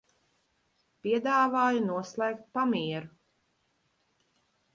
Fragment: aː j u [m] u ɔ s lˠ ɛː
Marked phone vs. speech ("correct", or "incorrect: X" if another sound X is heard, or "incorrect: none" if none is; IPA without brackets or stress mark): incorrect: n